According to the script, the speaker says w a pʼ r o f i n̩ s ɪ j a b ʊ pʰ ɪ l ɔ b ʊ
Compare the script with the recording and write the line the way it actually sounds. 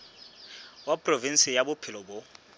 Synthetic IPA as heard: w a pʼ r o v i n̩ s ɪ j a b ʊ pʰ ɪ l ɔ b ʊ